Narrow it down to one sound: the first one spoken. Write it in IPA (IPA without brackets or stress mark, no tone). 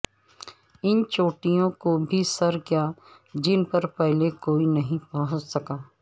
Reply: ɪ